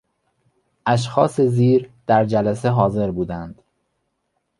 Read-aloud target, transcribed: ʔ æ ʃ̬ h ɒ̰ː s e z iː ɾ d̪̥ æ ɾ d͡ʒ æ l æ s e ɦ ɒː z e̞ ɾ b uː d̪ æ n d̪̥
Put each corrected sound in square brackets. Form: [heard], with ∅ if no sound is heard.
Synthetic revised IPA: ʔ æ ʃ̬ [x] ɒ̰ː s e z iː ɾ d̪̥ æ ɾ d͡ʒ æ l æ s e ɦ ɒː z e̞ ɾ b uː d̪ æ n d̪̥